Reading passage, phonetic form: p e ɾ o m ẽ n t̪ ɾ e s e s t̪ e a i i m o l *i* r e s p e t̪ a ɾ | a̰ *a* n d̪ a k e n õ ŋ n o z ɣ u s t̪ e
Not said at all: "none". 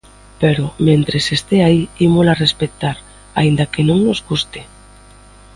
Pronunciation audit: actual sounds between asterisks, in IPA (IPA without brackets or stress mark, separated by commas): a, i